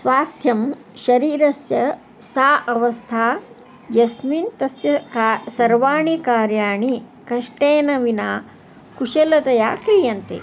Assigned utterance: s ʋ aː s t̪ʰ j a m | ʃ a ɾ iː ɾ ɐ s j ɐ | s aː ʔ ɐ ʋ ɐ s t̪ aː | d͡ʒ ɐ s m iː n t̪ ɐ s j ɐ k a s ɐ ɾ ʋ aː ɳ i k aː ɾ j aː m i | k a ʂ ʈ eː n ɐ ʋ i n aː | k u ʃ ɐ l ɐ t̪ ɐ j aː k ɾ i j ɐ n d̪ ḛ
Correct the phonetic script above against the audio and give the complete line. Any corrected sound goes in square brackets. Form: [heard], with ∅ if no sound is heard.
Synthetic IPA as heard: s ʋ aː s t̪ʰ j [ɐ] m | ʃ [ɐ] ɾ iː ɾ ɐ s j ɐ | s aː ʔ ɐ ʋ ɐ s [t̪ʰ] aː | d͡ʒ ɐ s m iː n t̪ ɐ s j ɐ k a s ɐ ɾ ʋ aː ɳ i k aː ɾ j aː [ɳ] i | k [ɐ] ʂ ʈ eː n ɐ ʋ i n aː | k u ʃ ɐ l ɐ t̪ ɐ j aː k ɾ i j ɐ n [t̪] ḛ